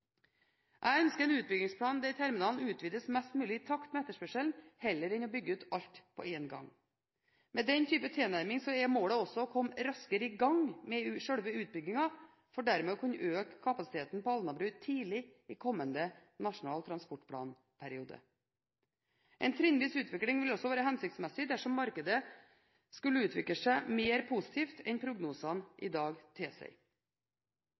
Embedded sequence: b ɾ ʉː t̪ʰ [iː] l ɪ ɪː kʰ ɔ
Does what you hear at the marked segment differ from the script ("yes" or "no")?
no